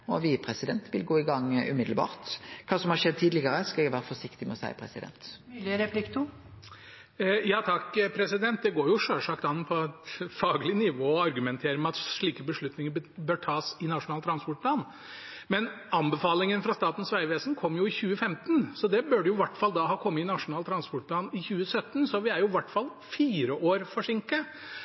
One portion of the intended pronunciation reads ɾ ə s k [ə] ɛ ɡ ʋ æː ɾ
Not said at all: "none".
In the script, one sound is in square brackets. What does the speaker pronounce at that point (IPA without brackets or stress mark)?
ɑ